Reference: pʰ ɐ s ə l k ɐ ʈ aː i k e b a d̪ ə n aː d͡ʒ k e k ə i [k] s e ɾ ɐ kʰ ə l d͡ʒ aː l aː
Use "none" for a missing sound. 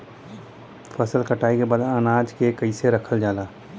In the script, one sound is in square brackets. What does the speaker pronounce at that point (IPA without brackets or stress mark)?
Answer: none